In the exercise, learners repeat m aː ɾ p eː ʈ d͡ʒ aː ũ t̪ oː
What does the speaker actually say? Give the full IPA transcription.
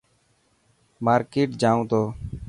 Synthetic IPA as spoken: m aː ɾ k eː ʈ d͡ʒ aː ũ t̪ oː